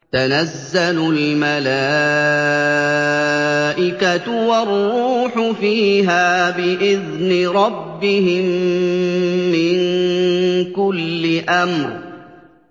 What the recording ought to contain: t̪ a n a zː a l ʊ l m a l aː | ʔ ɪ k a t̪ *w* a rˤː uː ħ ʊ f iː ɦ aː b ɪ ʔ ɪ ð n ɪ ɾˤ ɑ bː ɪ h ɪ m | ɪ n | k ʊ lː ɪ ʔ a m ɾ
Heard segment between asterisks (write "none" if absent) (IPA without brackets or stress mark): w